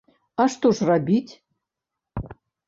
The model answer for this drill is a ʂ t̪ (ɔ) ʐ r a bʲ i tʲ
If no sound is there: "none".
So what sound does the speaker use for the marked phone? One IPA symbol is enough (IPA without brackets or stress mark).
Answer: o